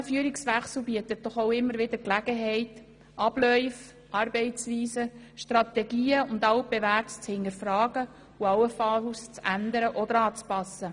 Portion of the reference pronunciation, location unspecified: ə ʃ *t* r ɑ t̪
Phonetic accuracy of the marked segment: correct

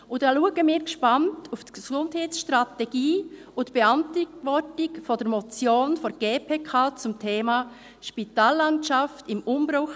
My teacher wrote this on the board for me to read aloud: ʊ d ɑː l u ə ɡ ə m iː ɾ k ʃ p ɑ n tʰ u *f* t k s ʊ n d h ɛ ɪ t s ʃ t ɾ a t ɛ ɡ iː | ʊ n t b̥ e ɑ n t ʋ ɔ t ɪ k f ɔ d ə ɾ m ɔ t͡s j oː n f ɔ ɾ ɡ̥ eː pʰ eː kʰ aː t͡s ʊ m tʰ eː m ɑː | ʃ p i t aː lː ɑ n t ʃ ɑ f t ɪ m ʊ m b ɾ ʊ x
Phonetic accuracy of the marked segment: correct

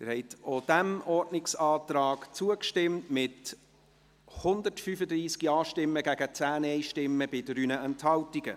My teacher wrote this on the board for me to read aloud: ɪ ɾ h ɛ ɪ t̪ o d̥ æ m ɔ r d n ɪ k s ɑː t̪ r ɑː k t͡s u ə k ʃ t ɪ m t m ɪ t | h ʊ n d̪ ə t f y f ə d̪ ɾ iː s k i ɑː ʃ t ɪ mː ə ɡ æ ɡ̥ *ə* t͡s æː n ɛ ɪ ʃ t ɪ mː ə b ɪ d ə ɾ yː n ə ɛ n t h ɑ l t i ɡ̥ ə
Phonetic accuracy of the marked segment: correct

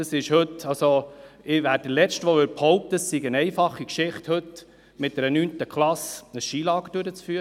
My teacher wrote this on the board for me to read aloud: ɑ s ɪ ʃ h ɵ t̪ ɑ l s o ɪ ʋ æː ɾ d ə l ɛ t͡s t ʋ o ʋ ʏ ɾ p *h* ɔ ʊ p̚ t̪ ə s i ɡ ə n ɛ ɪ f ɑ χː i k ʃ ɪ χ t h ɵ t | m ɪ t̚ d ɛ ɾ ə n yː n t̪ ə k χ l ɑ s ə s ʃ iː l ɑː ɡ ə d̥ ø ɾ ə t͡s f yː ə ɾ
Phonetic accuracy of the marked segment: correct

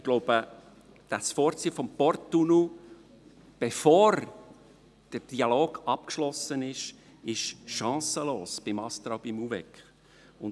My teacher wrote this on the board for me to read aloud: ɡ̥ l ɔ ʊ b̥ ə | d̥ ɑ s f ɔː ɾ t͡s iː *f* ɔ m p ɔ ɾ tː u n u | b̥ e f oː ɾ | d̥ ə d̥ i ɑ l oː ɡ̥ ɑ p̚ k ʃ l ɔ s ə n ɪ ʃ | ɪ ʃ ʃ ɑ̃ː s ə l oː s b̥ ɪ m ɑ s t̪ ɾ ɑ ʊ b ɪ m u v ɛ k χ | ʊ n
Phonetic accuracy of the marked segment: correct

